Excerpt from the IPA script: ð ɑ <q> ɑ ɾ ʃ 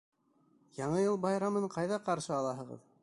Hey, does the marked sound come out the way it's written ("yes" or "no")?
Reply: yes